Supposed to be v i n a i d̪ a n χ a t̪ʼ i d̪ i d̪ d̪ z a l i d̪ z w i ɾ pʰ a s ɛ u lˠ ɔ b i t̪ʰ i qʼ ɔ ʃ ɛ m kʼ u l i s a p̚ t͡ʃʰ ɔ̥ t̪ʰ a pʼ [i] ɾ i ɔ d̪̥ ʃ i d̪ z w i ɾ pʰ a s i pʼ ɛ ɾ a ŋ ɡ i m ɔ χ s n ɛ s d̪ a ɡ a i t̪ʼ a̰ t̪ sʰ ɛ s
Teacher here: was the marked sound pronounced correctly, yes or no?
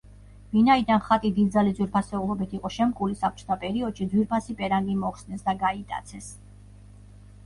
no